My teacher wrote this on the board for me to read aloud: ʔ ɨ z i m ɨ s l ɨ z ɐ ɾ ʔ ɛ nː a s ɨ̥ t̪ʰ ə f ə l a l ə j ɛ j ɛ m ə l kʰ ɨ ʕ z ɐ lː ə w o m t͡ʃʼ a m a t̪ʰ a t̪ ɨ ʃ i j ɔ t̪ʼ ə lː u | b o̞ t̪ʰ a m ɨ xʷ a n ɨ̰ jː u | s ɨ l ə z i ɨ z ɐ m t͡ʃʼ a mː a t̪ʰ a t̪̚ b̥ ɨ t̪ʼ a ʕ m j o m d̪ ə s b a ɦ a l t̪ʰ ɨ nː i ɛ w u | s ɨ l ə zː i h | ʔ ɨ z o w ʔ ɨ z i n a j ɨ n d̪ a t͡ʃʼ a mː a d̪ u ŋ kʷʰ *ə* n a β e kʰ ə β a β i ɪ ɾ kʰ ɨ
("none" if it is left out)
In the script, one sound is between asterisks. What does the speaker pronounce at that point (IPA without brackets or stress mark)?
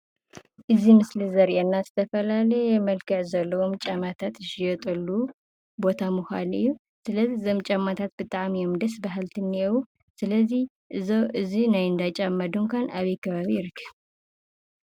a